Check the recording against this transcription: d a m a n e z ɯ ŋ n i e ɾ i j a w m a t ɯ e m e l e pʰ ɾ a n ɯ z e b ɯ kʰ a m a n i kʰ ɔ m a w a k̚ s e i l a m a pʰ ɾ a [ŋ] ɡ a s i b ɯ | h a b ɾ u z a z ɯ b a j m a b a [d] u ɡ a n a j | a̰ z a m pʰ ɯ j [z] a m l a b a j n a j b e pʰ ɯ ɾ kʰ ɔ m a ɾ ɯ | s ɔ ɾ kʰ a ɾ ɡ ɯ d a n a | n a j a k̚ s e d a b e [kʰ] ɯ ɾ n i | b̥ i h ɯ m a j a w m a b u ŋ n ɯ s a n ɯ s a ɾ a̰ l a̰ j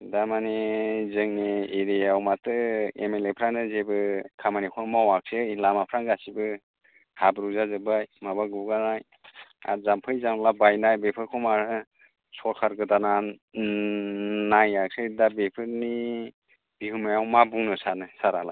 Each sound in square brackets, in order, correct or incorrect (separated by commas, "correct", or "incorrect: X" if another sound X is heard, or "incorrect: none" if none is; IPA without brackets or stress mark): correct, incorrect: ɡ, correct, incorrect: pʰ